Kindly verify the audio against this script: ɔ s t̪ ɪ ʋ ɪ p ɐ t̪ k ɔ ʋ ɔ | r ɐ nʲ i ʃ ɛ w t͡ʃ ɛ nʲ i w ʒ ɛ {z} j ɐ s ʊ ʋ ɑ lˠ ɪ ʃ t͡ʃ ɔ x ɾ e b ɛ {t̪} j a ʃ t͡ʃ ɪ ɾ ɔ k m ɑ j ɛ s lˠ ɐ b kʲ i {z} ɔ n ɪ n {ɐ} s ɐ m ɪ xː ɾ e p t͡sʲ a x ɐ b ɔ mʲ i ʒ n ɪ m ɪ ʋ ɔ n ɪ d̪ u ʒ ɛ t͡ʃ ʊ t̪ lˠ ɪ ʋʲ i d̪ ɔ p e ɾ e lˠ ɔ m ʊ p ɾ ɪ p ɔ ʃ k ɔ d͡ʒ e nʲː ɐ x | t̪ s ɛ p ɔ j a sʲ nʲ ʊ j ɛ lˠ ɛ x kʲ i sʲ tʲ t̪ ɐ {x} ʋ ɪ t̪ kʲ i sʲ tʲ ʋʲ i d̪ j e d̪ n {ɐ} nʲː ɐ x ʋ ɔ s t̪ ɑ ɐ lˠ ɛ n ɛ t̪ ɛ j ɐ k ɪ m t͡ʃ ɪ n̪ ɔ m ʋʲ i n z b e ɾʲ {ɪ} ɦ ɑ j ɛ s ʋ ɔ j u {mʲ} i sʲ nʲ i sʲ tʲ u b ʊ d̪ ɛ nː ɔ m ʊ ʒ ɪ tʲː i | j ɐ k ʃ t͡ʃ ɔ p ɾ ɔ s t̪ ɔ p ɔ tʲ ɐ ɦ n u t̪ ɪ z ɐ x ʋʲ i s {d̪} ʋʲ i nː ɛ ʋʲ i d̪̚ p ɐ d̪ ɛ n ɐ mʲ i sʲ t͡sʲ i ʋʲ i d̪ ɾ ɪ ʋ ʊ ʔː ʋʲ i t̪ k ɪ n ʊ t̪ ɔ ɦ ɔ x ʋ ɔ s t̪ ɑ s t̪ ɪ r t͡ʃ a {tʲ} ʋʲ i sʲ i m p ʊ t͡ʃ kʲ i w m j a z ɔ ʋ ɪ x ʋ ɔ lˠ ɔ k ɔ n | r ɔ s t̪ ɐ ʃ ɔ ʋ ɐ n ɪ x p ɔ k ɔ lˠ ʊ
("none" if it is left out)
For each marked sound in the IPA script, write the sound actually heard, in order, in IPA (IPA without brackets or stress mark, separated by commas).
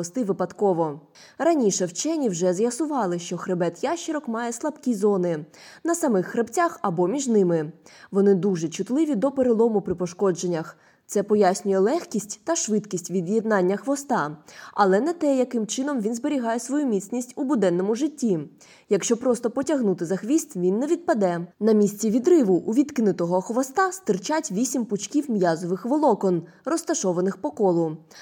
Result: z, t̪, z, ɐ, ʃ, ɑ, i, mʲ, t̪, tʲ